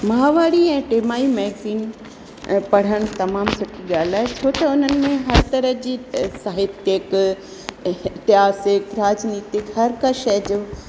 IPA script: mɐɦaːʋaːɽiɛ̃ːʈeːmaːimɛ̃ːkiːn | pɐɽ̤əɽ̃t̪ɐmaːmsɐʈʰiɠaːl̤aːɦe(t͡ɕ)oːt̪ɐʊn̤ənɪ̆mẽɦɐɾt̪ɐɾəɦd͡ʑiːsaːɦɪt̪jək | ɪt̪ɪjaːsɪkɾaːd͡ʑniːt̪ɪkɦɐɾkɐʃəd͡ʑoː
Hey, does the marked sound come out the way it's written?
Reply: no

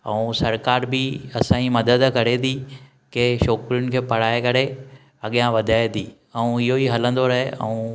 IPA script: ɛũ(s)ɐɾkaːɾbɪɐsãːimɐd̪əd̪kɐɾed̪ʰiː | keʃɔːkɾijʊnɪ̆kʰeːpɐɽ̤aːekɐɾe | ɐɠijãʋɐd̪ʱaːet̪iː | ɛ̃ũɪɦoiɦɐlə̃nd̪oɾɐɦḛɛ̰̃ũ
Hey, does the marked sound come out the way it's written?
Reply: yes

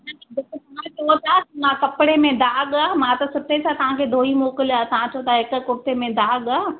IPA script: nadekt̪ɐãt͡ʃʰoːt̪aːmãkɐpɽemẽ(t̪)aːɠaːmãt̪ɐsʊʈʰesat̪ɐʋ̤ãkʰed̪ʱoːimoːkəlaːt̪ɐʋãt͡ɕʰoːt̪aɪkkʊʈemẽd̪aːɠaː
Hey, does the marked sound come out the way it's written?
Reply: no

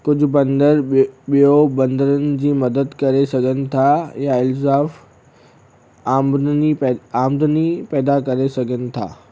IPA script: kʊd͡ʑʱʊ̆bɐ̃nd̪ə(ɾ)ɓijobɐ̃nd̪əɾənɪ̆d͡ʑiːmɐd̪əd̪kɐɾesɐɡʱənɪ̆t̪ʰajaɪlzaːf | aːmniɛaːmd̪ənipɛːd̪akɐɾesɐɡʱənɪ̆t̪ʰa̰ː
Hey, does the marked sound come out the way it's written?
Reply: yes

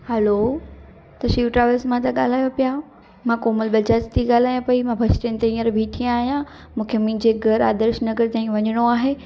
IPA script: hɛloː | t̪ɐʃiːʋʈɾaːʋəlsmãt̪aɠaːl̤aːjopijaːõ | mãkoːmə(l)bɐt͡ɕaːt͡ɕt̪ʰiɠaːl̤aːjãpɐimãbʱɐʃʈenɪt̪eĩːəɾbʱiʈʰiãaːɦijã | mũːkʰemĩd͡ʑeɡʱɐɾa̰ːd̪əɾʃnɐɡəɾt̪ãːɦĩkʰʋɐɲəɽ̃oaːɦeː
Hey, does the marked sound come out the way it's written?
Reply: yes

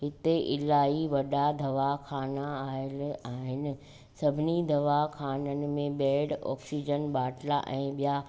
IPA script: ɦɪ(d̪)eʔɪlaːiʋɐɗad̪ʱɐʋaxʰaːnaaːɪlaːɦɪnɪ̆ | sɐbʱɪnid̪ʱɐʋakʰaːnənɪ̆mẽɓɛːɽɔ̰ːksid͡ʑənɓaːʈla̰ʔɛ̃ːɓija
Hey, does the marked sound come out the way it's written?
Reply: no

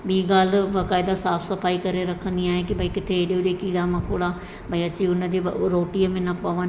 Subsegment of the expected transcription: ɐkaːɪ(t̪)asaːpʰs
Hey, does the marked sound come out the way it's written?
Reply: no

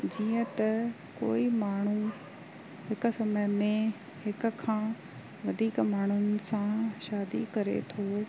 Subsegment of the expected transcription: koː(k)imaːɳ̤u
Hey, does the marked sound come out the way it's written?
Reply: no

